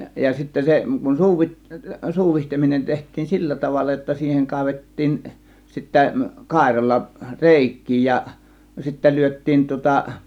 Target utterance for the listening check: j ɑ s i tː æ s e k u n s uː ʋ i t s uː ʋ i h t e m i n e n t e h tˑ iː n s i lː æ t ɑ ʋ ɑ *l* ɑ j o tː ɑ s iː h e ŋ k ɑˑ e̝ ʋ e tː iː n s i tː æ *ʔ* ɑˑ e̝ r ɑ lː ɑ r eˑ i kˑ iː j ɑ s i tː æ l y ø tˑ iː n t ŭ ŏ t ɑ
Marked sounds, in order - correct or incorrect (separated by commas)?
incorrect, incorrect